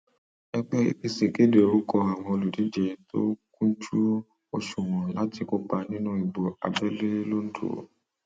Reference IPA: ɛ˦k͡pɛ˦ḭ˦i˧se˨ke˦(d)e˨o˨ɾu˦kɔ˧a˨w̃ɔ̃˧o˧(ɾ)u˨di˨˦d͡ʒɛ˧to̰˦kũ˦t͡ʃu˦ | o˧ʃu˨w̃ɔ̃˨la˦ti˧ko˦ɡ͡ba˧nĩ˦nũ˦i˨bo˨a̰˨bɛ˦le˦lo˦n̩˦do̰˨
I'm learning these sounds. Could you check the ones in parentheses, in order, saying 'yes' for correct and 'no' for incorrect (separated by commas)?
yes, no